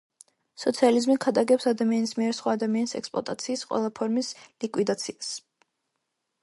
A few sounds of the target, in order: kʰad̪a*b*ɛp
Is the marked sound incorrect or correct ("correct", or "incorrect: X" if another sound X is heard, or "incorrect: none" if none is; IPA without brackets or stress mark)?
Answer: incorrect: ɡ